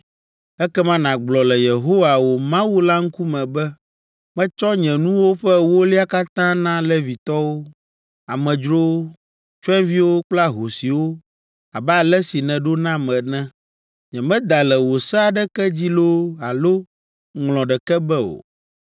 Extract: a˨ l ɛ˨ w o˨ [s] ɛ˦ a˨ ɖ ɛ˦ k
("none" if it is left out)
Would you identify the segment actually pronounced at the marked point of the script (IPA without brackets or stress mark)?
s